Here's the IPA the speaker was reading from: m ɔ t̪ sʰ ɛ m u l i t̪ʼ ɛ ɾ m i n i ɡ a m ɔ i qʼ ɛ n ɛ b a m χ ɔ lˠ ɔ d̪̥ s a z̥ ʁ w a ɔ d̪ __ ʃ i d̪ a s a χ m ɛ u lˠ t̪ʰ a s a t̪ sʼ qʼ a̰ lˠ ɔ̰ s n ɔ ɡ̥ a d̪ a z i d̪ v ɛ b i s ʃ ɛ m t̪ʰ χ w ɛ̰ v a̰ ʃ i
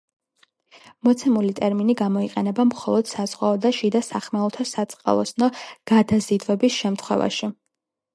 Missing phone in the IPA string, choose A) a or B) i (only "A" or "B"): A